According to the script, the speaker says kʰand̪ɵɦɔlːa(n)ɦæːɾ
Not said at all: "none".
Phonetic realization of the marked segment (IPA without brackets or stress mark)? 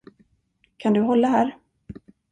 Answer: none